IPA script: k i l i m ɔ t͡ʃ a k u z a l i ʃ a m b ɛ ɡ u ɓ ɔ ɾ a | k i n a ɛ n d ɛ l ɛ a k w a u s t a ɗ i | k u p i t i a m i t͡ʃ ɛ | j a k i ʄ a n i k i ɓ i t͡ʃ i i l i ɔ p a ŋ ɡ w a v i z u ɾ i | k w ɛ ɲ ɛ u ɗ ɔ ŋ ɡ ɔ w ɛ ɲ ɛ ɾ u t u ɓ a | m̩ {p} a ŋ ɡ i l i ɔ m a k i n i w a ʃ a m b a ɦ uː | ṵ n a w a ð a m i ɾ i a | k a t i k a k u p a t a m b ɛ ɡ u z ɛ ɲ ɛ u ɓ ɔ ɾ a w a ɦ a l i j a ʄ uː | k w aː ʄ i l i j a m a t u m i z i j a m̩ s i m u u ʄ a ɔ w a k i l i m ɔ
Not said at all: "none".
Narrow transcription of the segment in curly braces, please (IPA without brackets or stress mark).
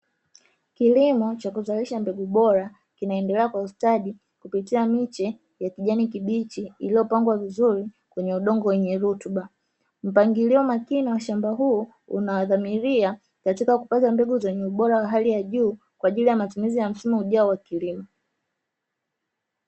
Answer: p